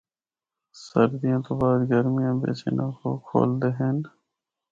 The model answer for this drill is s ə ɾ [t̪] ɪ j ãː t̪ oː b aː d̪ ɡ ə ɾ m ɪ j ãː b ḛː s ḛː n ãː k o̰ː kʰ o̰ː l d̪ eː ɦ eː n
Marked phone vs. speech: incorrect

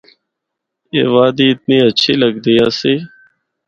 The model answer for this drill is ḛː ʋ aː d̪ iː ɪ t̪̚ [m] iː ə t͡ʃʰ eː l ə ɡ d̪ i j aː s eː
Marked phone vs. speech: incorrect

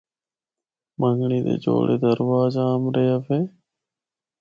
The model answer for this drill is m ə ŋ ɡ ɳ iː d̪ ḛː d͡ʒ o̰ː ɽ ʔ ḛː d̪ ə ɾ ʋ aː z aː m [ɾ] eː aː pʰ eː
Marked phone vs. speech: correct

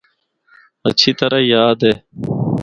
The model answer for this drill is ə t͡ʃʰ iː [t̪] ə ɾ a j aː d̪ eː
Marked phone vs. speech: correct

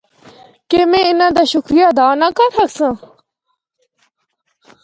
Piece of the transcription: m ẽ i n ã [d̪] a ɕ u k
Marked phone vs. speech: correct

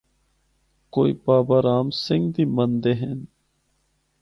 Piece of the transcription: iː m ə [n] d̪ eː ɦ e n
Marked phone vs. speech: correct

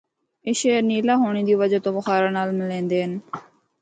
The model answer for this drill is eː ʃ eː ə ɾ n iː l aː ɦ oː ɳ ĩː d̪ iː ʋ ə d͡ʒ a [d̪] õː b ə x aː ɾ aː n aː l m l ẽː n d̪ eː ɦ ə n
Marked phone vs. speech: incorrect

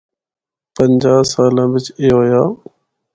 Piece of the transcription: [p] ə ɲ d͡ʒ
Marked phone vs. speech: correct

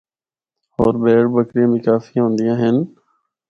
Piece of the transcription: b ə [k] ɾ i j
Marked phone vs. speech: correct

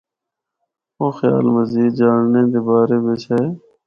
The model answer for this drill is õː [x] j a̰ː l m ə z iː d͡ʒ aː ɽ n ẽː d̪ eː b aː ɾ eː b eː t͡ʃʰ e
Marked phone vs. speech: correct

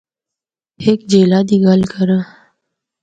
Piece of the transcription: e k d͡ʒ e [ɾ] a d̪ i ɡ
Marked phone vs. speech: incorrect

